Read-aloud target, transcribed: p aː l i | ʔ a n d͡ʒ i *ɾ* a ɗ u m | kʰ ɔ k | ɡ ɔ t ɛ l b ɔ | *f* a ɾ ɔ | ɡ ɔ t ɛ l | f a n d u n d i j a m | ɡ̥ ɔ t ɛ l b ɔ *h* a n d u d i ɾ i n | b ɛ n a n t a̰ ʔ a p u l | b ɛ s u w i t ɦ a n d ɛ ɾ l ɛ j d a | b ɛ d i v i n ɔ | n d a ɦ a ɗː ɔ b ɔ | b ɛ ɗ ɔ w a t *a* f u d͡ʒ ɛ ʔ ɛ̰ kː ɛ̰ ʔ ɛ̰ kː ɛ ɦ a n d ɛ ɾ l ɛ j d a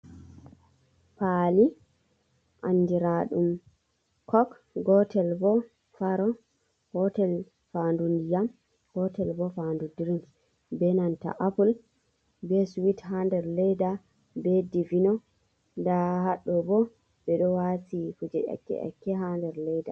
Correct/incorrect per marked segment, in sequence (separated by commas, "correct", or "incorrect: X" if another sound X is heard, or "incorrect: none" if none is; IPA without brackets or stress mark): correct, correct, incorrect: f, incorrect: i